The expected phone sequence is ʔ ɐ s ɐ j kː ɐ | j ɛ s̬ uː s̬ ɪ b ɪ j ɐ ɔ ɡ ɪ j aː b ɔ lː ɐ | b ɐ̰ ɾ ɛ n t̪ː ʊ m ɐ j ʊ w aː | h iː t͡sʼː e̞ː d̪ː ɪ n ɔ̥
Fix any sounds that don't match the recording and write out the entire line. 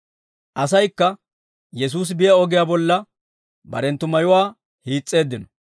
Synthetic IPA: ʔ ɐ s ɐ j kː ɐ | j ɛ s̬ uː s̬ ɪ b ɪ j ɐ ɔ ɡ ɪ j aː b ɔ lː ɐ | b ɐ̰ ɾ ɛ n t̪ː ʊ m ɐ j ʊ w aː | h iː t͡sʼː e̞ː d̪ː ɪ n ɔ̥